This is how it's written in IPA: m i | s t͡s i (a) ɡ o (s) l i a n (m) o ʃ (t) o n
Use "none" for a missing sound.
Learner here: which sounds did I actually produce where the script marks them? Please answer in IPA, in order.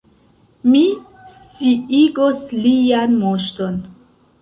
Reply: i, s, m, t

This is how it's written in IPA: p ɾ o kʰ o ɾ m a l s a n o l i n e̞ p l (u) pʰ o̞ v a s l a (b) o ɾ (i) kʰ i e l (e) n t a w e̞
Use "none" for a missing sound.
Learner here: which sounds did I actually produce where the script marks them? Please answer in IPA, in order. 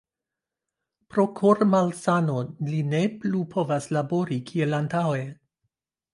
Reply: u, b, i, a

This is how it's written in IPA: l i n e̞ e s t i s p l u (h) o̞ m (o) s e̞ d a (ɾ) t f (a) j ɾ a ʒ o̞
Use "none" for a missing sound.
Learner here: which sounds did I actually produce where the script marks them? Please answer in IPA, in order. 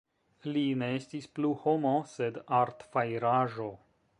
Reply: h, o, ɾ, a

